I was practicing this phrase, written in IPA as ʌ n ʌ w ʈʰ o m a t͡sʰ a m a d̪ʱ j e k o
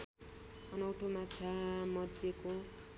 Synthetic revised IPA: ʌ n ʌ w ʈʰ o m a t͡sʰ a m ʌ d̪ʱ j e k o